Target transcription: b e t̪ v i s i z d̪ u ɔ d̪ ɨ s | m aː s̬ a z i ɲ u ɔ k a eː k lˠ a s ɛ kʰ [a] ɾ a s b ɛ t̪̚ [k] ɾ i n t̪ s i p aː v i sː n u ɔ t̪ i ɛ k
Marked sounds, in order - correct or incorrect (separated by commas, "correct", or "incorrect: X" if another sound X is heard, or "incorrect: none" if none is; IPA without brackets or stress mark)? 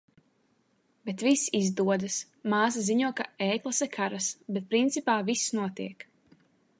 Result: correct, incorrect: p